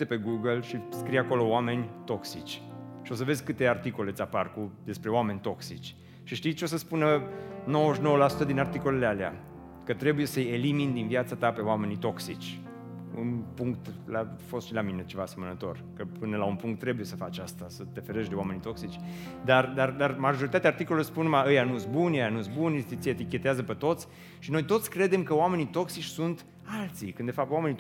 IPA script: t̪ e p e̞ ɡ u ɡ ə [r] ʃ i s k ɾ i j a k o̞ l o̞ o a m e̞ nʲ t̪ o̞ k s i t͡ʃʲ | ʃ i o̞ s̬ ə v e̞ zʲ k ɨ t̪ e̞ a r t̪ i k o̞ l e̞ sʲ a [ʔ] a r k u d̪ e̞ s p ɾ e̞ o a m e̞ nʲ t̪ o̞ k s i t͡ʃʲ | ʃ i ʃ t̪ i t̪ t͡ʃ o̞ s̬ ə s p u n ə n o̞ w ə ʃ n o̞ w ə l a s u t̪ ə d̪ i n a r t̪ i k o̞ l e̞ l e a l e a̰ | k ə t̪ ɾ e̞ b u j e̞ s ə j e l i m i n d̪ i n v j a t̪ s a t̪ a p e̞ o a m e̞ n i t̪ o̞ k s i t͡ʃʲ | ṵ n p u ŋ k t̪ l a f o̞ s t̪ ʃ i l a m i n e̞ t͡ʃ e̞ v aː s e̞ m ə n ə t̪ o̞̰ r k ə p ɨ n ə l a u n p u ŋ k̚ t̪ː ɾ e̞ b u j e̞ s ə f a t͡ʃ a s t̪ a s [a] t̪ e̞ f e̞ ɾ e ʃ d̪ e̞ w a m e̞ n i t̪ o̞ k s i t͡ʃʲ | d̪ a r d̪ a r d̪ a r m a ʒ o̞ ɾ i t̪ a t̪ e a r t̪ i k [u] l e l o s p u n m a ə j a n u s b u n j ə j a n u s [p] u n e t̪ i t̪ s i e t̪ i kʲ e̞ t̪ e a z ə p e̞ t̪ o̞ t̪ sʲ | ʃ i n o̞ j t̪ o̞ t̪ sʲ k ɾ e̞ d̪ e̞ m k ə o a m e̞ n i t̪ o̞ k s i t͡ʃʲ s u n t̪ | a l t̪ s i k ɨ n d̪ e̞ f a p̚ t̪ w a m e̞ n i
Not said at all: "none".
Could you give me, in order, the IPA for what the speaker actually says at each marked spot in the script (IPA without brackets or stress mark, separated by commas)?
l, p, ə, o, b